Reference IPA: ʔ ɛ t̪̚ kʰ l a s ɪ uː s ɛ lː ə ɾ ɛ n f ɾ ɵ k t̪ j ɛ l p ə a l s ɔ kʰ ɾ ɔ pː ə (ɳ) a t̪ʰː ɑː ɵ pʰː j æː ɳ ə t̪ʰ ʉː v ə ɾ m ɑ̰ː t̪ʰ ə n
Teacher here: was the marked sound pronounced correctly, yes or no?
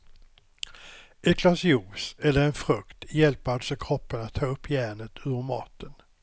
no